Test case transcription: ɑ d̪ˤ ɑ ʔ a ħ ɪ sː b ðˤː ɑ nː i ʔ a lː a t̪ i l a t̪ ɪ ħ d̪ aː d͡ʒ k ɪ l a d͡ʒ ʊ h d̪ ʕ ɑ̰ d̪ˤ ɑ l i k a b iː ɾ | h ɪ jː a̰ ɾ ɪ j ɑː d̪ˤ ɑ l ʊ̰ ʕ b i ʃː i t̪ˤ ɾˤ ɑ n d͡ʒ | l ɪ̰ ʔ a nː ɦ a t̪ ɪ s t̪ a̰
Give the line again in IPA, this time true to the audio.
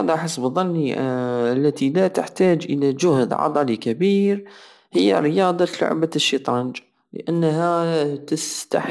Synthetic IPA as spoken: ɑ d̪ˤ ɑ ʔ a ħ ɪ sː b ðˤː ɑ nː i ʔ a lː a t̪ i l a t̪ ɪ ħ t̪ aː d͡ʒ ʔ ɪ l a d͡ʒ ʊ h d̪ ʕ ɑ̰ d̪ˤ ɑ l i k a b iː ɾ | h ɪ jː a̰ ɾ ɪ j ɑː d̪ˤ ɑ l ʊ̰ ʕ b a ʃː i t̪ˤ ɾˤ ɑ n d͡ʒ | l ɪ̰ ʔ a nː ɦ a t̪ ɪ s t̪ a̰

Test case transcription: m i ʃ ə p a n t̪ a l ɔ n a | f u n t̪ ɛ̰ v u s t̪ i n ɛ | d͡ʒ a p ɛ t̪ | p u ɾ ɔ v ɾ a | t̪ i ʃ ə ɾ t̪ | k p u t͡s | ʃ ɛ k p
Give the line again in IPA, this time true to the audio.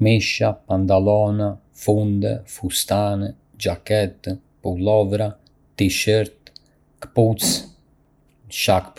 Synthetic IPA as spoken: m i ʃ a p a n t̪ a l ɔ n a | f u n d̪ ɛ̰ f u s t̪ a n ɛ | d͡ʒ a k ɛ t̪ | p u l ɔ v ɾ a | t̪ i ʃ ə ɾ t̪ | k p u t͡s | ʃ a k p

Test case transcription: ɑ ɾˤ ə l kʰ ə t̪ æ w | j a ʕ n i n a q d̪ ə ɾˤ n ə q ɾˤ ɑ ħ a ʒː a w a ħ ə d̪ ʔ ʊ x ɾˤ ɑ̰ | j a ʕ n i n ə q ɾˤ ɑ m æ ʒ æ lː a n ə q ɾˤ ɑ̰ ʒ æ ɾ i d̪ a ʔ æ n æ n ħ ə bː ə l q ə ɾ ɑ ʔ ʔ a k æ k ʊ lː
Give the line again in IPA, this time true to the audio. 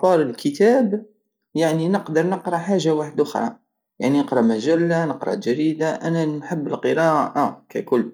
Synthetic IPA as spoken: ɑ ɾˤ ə l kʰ ə t̪ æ b | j a ʕ n i n ə q d̪ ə ɾˤ n ə q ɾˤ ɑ ħ a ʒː a w a ħ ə d̪ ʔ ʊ x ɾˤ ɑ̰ | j a ʕ n i n ə q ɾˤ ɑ m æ ʒ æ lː a n ə q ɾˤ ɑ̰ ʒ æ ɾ i d̪ a ʔ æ n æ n ħ ə bː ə l q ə ɾ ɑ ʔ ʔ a k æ k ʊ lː

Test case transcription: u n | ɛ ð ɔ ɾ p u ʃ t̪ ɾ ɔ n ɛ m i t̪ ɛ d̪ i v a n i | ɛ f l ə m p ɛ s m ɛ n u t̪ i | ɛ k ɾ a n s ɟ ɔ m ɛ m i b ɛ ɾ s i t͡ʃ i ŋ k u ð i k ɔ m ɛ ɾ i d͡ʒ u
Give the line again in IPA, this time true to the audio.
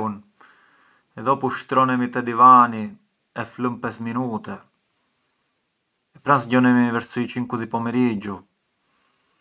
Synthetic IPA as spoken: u n | ɛ ð ɔ p u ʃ t̪ ɾ ɔ n ɛ m i t̪ ɛ d̪ i v a n i | ɛ f l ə m p ɛ s m i n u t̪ ɛ | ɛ p ɾ a n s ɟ ɔ n ɛ m i v ɛ ɾ s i t͡ʃ i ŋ k u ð i p ɔ m ɛ ɾ i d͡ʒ u

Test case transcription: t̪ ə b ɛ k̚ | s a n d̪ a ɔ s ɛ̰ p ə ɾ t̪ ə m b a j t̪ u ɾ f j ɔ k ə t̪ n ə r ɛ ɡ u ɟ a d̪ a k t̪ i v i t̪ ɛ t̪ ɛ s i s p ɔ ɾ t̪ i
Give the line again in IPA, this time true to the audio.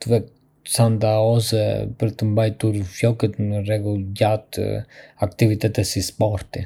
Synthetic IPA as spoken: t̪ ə v ɛ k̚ | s a n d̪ a ɔ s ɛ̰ p ə ɾ t̪ ə m b a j t̪ u ɾ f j ɔ k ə t̪ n ə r ɛ ɡ u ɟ a t̪ a k t̪ i v i t̪ ɛ t̪ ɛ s i s p ɔ ɾ t̪ i

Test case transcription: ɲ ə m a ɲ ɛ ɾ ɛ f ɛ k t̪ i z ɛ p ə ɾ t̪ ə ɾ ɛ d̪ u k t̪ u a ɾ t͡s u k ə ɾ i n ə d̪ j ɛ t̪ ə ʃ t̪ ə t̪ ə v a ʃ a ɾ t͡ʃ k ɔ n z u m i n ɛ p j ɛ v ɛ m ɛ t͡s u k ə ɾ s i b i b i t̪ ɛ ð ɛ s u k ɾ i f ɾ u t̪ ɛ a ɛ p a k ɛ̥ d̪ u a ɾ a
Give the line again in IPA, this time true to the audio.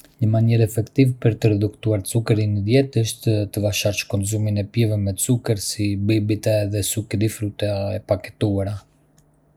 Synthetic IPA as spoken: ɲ ə m a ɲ ɛ ɾ ɛ f ɛ k t̪ i v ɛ p ə ɾ t̪ ə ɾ ɛ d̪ u k t̪ u a ɾ t͡s u k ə ɾ i n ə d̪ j ɛ t̪ ə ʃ t̪ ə t̪ ə v a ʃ a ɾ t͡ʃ k ɔ n z u m i n ɛ p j ɛ v ɛ m ɛ t͡s u k ə ɾ s i b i b i t̪ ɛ ð ɛ s u k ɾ i f ɾ u t̪ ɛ a ɛ p a k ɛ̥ t̪ u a ɾ a

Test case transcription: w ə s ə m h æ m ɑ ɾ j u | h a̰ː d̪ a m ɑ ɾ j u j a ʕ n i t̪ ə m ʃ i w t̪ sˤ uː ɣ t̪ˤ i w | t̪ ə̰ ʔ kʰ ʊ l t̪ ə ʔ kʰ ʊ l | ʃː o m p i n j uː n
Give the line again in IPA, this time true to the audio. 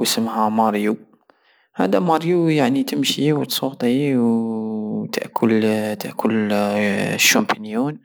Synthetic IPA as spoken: w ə s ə m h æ m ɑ ɾ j u | h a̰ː d̪ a m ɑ ɾ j u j a ʕ n i t̪ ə m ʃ i w t̪ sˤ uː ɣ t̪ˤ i w | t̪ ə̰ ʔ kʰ ʊ l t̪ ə ʔ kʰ ʊ l | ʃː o m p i n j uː n

